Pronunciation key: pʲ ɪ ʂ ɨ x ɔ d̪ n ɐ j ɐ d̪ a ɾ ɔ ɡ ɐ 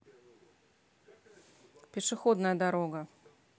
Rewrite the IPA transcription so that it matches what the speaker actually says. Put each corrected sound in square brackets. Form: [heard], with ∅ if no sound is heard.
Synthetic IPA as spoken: pʲ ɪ ʂ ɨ x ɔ d̪ n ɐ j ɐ d̪ a ɾ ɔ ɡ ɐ